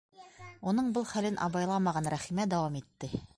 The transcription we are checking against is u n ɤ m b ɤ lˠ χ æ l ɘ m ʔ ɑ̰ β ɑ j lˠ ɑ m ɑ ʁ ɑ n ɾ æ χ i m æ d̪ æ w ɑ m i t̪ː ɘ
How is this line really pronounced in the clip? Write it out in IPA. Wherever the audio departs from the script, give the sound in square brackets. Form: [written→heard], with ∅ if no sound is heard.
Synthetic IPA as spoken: u n ɤ [m→ɴ] b ɤ lˠ χ æ l ɘ [m→n] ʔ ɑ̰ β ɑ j lˠ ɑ m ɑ ʁ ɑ n ɾ æ χ i m æ d̪ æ w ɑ m i t̪ː ɘ